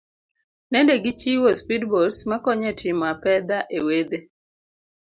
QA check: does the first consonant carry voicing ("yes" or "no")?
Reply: yes